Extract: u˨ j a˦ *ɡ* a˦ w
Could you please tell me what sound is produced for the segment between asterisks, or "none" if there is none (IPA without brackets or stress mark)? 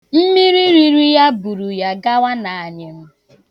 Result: ɡ